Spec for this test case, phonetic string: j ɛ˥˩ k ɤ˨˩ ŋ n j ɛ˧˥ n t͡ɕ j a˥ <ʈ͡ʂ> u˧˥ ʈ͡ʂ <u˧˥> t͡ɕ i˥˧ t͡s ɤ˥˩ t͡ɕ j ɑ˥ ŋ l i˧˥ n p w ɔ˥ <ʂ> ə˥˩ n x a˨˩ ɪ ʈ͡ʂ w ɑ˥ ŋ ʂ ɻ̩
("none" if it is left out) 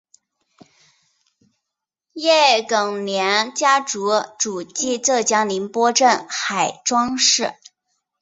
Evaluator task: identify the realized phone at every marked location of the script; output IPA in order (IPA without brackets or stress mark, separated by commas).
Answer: ʈ͡ʂ, u˨˩, ʈ͡ʂ